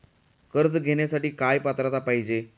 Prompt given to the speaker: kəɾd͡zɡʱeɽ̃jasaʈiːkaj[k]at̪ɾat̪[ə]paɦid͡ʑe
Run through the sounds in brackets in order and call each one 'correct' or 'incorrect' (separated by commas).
incorrect, incorrect